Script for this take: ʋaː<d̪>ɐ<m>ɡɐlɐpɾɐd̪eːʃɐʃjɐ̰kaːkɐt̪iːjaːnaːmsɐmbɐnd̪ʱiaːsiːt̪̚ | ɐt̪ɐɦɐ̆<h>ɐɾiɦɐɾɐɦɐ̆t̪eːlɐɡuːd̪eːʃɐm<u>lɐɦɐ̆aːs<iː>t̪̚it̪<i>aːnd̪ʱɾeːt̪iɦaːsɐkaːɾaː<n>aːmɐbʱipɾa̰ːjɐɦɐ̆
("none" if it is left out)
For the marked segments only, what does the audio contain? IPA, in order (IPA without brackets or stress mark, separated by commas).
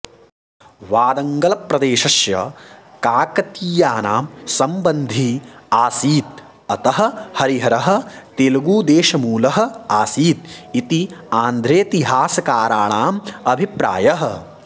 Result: d̪, ŋ, h, uː, iː, i, ɳ